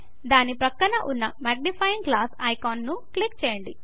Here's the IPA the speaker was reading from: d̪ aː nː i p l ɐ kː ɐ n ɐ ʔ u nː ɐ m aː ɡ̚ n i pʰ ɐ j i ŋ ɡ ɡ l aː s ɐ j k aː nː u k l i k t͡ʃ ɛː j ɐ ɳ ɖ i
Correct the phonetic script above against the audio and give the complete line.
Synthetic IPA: d̪ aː n i p ɾ ɐ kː ɐ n ɐ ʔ u nː ɐ m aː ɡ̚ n i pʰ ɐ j i ŋ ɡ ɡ l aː s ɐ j k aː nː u k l i k t͡ʃ ɛː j ɐ ɳ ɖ i